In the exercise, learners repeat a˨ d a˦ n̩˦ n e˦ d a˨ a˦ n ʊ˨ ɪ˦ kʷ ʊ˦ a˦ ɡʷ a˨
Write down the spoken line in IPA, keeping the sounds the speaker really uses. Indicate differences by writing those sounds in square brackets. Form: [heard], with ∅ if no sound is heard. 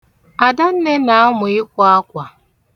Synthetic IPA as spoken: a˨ d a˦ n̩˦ n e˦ [n] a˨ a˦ [m] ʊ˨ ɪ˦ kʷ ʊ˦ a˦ [kʷ] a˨